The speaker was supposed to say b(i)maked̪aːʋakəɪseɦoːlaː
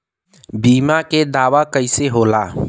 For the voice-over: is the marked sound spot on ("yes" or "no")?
no